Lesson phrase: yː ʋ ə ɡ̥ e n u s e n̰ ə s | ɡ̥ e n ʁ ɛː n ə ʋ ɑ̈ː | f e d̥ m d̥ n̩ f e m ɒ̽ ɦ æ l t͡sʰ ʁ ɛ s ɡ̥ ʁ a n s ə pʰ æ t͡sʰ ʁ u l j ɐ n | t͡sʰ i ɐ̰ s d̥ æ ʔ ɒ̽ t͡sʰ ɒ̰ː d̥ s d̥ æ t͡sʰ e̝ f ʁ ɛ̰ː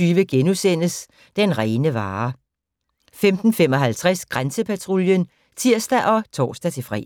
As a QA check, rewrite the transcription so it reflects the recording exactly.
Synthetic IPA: yː ʋ ə ɡ̥ e n u s e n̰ ə s | d̥ e n ʁ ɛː n ə ʋ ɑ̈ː | f e m d̥ n̩ f e m ɒ̽ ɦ æ l t͡sʰ ʁ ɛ s ɡ̥ ʁ a n s ə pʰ æ t͡sʰ ʁ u l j ə n | t͡sʰ i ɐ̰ s d̥ æ ʔ ɒ̽ t͡sʰ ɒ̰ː s d̥ æ t͡sʰ e̝ f ʁ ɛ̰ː